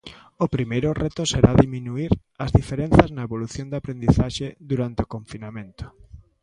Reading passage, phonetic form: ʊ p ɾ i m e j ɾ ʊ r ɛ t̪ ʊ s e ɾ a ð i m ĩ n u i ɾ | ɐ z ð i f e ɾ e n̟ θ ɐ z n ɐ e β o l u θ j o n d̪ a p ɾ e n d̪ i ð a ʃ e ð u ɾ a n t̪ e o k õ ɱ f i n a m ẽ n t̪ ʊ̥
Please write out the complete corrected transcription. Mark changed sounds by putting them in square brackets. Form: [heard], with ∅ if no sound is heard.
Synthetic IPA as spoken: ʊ p ɾ i m e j ɾ ʊ r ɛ t̪ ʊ s e ɾ a ð i m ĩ n u i ɾ | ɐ z ð i f e ɾ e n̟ θ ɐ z n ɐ e β o l u θ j o n d̪ a p ɾ e n d̪ i [θ] a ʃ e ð u ɾ a n t̪ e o k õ ɱ f i n a m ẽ n t̪ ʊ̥